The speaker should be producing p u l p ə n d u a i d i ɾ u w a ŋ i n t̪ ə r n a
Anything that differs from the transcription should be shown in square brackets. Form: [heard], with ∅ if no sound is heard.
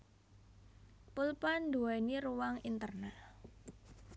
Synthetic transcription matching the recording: p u l p [a] n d u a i [n] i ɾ u w a ŋ i n t̪ ə r n a